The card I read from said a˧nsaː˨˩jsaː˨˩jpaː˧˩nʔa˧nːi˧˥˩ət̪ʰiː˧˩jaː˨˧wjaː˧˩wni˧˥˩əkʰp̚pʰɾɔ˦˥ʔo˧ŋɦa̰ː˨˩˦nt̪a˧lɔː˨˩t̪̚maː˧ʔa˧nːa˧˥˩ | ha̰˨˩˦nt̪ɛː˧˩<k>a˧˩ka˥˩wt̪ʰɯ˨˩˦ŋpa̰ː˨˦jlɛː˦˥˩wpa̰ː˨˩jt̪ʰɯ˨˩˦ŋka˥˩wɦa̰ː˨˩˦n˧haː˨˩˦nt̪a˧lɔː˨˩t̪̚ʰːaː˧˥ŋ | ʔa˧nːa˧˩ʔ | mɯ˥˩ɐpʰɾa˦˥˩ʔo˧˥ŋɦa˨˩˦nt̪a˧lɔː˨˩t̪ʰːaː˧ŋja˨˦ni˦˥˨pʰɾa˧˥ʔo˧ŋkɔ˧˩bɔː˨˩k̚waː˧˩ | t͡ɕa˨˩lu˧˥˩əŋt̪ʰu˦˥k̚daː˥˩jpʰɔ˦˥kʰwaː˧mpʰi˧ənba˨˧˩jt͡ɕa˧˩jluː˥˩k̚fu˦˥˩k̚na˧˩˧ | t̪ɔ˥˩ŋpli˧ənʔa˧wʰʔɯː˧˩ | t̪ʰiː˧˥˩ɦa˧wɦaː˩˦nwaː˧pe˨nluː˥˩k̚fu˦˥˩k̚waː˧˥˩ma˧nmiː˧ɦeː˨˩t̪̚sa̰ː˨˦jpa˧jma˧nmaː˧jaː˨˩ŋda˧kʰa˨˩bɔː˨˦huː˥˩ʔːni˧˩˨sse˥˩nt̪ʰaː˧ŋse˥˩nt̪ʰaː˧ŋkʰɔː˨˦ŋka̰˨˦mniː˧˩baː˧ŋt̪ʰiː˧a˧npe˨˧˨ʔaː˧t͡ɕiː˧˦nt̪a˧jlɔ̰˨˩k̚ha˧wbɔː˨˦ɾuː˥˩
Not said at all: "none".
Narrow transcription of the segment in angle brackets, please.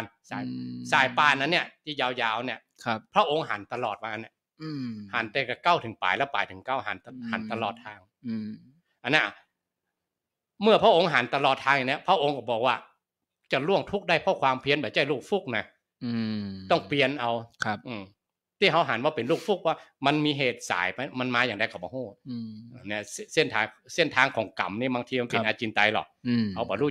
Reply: k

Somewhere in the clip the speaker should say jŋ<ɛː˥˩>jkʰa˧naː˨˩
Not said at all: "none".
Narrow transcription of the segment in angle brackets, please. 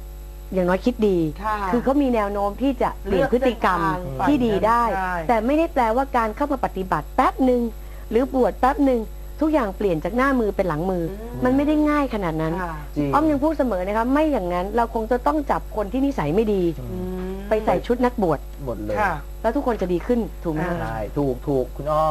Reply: aː˥˩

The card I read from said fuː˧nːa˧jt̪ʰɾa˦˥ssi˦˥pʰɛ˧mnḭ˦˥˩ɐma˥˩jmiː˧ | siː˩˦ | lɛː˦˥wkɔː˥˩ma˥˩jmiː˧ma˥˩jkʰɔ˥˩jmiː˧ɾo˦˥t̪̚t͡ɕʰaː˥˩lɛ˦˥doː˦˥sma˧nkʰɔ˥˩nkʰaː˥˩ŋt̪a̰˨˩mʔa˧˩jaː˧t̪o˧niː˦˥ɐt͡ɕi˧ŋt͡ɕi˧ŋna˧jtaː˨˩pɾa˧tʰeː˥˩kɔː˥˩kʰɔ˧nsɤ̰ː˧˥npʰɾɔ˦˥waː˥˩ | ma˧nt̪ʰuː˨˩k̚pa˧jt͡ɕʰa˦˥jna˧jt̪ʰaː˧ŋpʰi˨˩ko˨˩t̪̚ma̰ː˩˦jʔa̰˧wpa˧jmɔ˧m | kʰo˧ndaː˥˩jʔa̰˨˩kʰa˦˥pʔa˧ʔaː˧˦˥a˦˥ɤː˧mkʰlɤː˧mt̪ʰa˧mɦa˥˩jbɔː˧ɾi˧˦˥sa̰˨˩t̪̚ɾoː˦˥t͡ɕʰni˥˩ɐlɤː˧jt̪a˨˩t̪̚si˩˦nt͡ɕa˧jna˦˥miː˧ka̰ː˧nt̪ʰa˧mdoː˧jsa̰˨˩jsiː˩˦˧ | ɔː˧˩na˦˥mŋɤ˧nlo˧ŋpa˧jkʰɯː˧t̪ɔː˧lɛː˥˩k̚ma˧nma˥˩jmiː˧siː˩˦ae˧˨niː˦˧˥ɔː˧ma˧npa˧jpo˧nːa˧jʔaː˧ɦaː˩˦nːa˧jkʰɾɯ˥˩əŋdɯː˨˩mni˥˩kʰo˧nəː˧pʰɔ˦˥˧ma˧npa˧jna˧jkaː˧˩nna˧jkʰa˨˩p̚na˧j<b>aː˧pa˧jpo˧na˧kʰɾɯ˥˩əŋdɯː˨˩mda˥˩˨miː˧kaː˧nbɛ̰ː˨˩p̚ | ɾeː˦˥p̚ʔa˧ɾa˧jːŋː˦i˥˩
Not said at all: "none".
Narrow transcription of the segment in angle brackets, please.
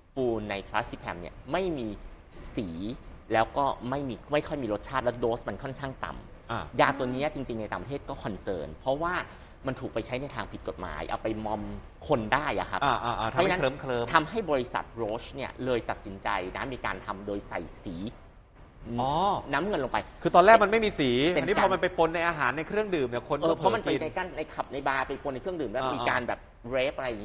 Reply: b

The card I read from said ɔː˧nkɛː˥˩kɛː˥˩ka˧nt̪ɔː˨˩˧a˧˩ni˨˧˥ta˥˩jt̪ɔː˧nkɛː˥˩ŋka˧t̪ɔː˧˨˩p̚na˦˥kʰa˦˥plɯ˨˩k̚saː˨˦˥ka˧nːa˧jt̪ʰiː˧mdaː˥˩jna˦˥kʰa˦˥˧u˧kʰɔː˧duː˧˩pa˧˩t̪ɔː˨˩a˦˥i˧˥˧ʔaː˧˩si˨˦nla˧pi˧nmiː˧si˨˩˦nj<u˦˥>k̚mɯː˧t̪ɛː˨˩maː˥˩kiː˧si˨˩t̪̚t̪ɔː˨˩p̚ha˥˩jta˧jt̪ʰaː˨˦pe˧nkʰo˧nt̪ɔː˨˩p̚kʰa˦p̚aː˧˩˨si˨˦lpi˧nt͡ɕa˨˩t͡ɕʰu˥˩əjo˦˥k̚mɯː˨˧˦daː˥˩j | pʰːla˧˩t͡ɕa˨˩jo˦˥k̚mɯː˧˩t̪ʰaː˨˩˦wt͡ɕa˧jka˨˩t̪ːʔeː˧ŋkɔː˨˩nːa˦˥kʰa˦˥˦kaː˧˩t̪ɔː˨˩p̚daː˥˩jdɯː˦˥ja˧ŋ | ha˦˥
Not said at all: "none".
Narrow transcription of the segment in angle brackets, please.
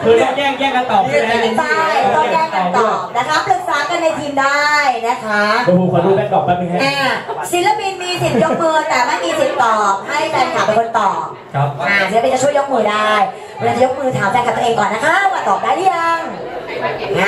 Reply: o˦˥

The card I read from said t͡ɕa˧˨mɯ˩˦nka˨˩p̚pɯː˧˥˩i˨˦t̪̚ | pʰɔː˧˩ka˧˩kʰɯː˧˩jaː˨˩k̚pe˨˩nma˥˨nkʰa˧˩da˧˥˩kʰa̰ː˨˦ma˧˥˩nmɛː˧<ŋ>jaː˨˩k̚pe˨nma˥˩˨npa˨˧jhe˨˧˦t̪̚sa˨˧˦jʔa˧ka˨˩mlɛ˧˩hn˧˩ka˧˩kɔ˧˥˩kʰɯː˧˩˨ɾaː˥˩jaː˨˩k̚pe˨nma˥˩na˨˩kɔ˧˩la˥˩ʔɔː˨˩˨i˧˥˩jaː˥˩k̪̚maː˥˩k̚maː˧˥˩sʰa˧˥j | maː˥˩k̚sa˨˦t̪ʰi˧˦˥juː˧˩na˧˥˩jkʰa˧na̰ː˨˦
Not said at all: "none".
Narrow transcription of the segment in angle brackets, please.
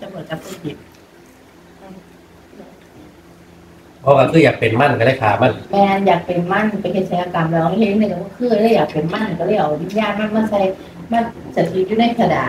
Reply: n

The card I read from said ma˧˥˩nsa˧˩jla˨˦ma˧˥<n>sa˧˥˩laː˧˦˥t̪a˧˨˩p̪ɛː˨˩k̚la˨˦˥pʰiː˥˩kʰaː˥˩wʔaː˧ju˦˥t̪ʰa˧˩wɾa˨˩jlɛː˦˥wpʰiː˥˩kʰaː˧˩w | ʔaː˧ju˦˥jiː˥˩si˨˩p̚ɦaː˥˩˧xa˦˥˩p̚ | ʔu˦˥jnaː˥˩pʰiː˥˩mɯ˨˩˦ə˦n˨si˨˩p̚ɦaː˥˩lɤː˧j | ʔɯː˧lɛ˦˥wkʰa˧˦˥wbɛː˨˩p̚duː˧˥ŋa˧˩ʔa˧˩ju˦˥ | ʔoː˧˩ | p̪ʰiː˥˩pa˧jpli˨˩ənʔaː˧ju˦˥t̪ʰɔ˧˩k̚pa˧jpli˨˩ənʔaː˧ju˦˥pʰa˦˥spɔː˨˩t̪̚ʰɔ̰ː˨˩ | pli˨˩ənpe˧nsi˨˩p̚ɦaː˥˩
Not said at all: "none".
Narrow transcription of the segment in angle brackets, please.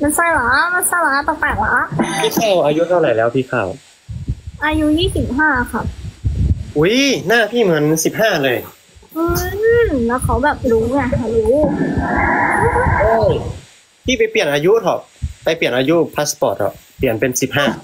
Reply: n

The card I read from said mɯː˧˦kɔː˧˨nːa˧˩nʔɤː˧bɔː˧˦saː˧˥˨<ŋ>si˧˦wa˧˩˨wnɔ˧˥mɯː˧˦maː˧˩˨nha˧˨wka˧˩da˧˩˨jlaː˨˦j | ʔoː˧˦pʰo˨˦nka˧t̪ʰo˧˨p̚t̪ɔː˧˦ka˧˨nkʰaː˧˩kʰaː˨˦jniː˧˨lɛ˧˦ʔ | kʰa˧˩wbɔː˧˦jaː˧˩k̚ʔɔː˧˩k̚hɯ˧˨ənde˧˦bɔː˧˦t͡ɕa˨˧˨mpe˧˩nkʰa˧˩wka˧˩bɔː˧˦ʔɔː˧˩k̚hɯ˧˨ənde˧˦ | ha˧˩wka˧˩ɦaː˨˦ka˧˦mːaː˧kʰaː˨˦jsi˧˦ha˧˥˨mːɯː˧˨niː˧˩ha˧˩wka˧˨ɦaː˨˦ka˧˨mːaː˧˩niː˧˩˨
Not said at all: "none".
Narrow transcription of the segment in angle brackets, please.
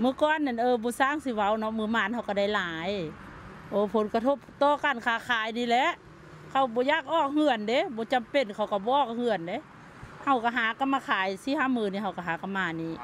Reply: ŋ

